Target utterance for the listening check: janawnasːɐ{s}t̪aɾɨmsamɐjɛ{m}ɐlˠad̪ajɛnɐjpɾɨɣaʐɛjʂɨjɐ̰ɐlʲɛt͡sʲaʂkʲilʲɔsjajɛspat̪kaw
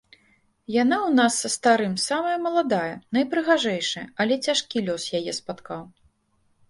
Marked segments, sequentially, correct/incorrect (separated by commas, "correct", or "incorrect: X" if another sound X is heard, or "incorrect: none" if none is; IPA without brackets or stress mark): correct, correct